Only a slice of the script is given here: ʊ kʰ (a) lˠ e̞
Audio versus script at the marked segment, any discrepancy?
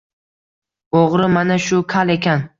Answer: no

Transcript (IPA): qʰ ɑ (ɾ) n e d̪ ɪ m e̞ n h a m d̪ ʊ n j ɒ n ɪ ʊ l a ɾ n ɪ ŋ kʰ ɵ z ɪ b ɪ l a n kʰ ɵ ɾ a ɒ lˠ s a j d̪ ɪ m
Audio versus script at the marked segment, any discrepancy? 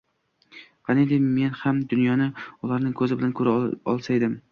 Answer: yes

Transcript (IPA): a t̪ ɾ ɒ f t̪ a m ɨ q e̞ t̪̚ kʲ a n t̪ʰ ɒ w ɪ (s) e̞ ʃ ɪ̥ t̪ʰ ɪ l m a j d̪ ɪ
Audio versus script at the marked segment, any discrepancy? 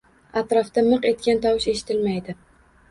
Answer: yes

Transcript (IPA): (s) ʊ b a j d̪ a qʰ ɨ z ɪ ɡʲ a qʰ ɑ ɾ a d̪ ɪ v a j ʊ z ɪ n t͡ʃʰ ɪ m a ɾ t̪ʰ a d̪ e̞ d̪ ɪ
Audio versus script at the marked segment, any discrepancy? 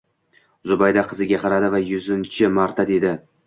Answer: yes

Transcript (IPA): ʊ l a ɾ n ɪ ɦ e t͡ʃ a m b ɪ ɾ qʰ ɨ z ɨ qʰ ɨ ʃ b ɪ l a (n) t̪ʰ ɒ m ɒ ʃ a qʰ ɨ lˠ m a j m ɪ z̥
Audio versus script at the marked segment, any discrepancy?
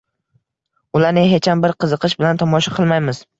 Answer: no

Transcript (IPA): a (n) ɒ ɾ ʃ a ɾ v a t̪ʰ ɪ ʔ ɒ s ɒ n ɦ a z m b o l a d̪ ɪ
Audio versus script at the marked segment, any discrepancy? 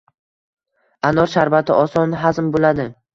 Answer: no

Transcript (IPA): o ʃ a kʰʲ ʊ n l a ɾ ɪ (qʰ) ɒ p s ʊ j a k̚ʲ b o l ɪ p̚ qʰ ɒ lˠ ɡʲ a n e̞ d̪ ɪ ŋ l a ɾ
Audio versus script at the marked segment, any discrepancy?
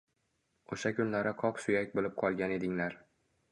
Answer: no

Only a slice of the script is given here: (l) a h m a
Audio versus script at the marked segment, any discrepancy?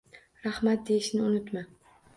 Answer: yes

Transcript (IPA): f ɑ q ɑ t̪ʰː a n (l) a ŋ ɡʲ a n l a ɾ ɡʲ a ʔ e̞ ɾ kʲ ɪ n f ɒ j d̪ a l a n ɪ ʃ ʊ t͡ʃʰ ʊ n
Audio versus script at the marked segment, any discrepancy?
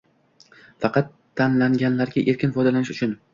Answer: no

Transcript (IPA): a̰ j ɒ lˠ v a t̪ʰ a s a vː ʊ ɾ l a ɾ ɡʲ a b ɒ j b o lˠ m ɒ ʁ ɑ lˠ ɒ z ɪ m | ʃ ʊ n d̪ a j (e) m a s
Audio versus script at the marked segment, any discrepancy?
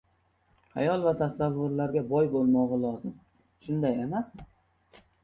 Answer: no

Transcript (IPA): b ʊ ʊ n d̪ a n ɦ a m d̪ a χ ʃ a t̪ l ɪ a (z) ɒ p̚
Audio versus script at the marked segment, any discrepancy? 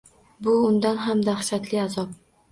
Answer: no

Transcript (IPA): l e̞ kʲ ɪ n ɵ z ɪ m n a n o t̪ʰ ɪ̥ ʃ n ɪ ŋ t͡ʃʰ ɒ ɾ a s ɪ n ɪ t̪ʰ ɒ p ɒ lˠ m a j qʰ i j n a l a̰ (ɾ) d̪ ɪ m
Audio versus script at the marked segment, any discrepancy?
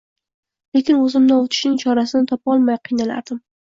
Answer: no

